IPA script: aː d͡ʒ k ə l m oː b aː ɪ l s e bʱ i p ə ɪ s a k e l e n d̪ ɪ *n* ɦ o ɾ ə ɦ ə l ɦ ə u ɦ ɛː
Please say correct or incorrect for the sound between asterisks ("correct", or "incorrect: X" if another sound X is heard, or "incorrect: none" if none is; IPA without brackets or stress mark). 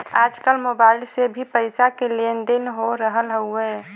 correct